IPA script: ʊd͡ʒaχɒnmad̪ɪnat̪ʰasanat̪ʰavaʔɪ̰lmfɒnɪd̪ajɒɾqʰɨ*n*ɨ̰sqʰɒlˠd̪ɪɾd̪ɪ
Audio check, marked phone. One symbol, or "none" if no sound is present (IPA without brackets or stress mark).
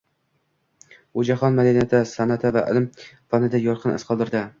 n